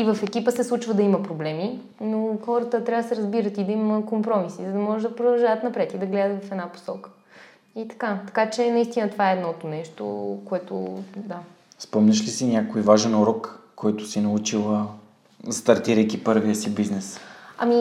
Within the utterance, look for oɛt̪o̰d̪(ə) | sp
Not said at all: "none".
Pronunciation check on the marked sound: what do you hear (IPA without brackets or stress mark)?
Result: a